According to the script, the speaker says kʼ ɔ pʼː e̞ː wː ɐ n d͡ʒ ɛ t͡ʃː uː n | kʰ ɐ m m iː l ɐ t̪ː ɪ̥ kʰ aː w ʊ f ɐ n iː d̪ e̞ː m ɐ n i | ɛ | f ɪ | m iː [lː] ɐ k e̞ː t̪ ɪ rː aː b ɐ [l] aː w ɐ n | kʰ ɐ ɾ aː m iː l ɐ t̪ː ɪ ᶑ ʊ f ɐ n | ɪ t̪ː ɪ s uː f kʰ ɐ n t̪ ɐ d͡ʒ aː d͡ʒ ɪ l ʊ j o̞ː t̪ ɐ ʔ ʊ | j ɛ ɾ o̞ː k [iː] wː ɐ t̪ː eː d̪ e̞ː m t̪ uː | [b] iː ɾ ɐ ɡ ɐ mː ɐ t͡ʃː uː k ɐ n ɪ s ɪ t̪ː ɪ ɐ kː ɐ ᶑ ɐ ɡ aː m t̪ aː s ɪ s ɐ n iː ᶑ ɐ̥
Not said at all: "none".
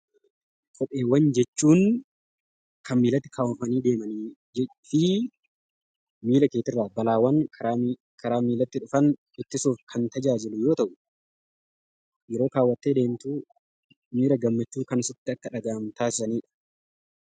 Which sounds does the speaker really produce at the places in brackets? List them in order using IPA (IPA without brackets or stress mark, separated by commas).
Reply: l, l, aː, m